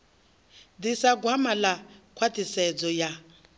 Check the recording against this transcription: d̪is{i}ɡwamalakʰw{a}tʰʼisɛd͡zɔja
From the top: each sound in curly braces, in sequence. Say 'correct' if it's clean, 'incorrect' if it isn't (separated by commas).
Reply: incorrect, correct